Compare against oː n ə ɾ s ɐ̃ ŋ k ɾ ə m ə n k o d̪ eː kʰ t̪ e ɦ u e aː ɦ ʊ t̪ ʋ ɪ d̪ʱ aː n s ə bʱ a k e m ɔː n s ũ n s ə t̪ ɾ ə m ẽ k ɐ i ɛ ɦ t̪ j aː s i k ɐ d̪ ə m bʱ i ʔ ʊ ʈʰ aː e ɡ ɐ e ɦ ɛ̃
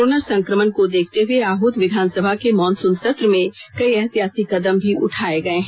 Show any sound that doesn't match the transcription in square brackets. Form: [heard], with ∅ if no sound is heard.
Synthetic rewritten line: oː n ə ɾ s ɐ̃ ŋ k ɾ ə m ə n k o d̪ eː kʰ t̪ e ɦ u e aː ɦ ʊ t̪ ʋ ɪ d̪ʱ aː n s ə bʱ a k e m ɔː n s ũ n s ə t̪ ɾ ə m ẽ k ɐ i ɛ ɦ t̪ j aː s i k ɐ d̪ ə m bʱ i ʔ ʊ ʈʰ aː e ɡ ɐ e ɦ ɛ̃